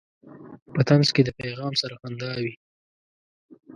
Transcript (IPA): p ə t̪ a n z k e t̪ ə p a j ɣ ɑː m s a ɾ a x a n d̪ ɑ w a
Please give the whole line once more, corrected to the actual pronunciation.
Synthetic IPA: p ə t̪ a n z k e d̪ ə p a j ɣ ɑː m s a ɾ a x a n d̪ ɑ w i